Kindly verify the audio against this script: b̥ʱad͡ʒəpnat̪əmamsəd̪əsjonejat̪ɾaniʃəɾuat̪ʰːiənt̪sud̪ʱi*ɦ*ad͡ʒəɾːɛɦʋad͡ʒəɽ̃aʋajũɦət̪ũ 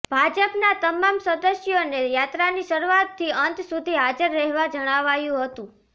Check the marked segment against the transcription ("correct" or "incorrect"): correct